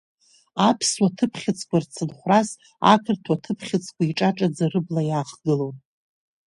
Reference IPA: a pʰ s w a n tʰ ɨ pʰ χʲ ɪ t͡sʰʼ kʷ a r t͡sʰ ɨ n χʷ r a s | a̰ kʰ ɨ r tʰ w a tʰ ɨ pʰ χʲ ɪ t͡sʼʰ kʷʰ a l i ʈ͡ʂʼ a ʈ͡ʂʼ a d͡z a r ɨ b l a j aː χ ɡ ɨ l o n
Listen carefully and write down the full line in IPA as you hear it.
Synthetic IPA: a pʰ s w a tʰ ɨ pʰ χʲ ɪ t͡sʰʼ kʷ a r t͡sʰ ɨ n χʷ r a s | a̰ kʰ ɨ r tʰ w a tʰ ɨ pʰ χʲ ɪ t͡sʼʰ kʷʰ a i ʈ͡ʂʼ a ʈ͡ʂʼ a d͡z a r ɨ b l a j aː χ ɡ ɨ l o n